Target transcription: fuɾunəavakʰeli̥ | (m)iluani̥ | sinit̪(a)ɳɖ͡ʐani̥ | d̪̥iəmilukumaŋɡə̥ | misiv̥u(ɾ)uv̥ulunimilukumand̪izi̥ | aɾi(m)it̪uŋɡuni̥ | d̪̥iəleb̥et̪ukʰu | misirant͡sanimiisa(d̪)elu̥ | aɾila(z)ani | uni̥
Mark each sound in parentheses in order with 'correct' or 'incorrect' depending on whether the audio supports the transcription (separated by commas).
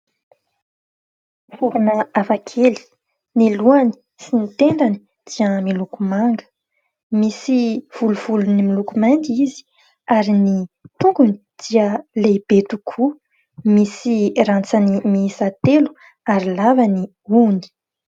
incorrect, incorrect, incorrect, incorrect, incorrect, incorrect